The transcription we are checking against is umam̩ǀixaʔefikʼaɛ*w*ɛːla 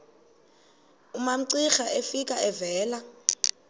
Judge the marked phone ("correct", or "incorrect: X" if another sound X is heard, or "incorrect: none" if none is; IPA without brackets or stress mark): incorrect: v